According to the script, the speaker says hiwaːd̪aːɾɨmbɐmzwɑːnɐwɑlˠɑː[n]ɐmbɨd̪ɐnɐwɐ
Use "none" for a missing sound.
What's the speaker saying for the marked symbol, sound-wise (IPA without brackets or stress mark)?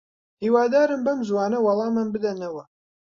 m